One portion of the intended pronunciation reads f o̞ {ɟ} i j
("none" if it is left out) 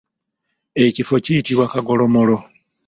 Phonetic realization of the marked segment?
c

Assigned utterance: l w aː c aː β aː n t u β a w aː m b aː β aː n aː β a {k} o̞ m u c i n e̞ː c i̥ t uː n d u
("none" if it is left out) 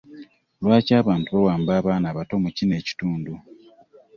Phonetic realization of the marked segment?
t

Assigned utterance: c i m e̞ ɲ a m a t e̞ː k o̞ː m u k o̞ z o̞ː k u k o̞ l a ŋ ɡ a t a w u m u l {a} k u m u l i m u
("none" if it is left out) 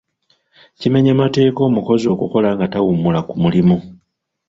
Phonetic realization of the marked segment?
a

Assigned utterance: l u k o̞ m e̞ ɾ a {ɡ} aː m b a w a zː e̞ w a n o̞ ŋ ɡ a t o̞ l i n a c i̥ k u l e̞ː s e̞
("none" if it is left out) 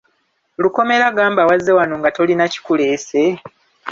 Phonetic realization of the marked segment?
ɡ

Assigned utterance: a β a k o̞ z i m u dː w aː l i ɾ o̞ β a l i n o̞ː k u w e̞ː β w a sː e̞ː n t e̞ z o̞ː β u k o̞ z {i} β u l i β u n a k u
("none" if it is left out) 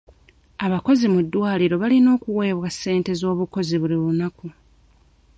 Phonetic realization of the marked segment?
i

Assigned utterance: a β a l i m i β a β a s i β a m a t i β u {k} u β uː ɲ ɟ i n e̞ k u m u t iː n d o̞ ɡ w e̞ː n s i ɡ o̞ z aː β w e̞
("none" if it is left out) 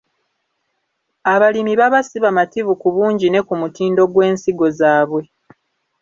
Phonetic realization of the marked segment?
k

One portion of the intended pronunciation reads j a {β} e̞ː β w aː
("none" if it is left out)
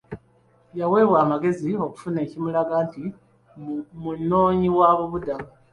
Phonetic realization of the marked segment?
w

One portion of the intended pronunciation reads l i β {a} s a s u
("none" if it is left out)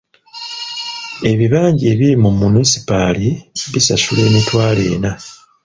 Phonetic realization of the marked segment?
i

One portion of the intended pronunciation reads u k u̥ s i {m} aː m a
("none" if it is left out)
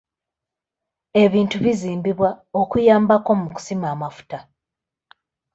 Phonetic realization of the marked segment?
m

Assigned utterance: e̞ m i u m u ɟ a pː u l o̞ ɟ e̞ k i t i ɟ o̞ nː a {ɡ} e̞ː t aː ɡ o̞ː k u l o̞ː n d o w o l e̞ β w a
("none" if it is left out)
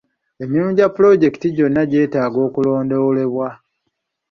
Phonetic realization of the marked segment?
ɟ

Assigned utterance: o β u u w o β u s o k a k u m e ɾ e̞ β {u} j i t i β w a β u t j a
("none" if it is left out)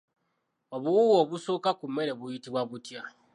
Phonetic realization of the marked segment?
u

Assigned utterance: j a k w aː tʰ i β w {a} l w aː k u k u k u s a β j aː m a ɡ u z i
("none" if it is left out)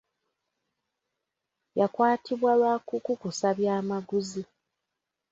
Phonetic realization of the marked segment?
a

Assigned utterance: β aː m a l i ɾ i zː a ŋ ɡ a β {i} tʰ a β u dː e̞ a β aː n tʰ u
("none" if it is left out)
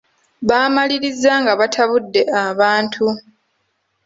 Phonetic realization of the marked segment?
a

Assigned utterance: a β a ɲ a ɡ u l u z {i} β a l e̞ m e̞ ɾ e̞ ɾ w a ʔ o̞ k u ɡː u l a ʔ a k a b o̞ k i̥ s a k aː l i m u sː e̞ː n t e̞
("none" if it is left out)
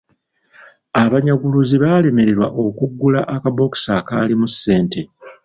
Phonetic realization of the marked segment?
i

